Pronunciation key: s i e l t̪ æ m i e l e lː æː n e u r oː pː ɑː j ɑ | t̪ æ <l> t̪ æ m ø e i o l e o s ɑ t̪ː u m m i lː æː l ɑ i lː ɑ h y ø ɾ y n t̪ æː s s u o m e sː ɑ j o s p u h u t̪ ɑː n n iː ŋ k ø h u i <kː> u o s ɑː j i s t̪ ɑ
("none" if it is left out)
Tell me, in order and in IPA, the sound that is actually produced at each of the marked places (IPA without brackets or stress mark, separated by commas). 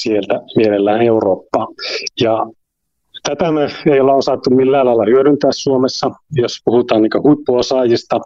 none, pː